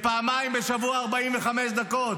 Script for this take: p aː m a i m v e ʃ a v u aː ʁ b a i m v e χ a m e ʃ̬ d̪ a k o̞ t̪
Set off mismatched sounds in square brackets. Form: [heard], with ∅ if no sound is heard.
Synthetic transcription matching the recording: p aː m a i m [b] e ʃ a v u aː ʁ b a i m v e χ a m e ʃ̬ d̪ a k o̞ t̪